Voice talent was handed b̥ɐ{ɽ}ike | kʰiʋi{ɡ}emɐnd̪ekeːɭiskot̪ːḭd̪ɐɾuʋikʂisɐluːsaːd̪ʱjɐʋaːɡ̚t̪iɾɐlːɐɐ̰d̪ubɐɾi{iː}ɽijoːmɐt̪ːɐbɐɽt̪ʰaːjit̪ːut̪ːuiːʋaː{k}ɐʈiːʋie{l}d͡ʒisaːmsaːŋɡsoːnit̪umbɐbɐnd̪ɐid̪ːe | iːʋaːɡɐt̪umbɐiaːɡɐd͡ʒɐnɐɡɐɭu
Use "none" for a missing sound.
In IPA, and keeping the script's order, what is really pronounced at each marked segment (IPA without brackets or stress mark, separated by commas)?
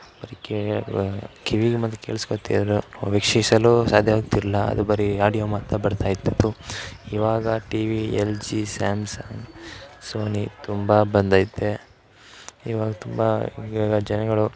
ɾ, ɡ, aː, ɡ, l